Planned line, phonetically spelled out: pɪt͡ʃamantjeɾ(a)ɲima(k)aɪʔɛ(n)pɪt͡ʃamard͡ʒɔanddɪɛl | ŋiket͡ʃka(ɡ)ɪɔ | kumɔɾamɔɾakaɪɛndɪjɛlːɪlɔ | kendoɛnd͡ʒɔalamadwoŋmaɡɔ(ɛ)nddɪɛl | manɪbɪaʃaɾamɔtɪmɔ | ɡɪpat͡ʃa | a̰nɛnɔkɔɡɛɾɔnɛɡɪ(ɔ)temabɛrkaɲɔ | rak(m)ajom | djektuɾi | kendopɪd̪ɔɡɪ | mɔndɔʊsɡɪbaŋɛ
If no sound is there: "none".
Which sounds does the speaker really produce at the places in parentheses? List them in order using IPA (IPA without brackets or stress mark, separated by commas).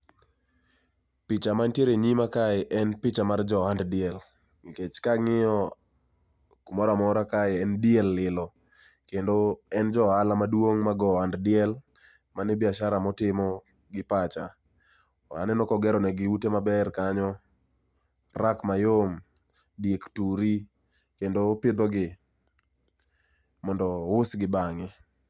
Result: e, k, n, ŋ, a, u, m